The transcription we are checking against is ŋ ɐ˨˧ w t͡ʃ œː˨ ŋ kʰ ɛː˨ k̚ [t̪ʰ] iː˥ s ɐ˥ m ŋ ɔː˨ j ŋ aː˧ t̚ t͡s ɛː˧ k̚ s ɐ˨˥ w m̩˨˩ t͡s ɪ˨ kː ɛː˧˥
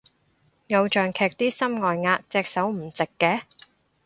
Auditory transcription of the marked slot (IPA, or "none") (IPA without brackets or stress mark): t̪